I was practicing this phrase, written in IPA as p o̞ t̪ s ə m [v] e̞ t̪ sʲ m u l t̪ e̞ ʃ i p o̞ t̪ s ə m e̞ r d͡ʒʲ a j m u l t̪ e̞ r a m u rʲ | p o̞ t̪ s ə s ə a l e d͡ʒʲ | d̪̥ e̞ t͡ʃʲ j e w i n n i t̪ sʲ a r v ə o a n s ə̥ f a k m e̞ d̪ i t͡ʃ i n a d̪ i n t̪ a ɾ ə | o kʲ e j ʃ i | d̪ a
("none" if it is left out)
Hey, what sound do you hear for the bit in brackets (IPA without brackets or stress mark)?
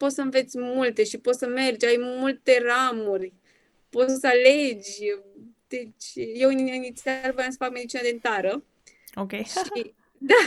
v